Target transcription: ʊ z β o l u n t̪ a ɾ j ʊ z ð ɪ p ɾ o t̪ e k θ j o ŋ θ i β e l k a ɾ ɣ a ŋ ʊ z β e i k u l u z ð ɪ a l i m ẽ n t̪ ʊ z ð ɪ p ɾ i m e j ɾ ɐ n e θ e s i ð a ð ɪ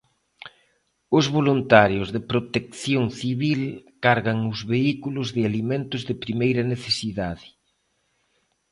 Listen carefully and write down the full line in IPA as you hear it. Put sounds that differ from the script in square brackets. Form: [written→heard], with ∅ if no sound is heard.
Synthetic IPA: ʊ z β o l u n t̪ a ɾ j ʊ z ð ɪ p ɾ o t̪ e k θ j o ŋ θ i β [e→i] l k a ɾ ɣ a ŋ ʊ z β e i k u l [u→ʊ] z ð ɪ a l i m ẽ n t̪ ʊ z ð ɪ p ɾ i m e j ɾ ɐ n e θ e s i ð a ð ɪ